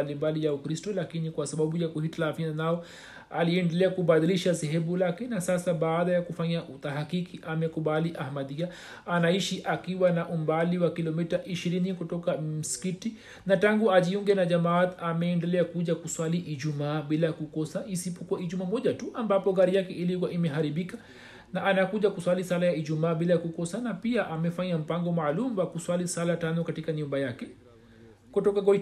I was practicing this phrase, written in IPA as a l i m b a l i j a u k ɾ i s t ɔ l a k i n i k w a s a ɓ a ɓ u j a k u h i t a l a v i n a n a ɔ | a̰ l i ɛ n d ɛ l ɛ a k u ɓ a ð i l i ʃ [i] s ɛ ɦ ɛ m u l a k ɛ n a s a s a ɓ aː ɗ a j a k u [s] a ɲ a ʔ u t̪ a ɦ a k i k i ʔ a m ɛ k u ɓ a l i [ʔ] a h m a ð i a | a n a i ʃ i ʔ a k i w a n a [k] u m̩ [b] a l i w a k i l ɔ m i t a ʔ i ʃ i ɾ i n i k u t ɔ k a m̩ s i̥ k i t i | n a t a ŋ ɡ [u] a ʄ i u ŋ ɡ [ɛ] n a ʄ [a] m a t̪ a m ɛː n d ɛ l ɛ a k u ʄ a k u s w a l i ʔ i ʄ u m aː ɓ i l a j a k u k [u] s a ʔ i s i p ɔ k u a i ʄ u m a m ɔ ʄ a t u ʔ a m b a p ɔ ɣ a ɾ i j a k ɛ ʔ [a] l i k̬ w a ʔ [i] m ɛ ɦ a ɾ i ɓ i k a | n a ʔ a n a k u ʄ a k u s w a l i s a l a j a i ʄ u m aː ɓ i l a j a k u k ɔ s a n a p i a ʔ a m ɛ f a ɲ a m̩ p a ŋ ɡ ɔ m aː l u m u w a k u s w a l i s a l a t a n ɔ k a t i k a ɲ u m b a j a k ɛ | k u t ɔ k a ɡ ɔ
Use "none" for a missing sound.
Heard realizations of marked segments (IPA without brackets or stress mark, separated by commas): a, f, ʔ, ʔ, b, u, ɛ, a, ɔ, i, i